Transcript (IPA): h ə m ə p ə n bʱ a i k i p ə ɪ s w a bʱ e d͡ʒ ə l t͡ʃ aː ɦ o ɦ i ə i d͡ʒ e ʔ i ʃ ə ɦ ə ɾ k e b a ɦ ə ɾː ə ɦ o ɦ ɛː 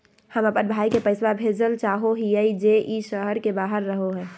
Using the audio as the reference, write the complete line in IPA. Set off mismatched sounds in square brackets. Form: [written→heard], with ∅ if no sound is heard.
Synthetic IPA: h ə m ə p ə n bʱ a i k [i→e] p ə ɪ s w a bʱ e d͡ʒ ə l t͡ʃ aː ɦ o ɦ i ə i d͡ʒ e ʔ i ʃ ə ɦ ə ɾ k e b a ɦ ə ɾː ə ɦ o ɦ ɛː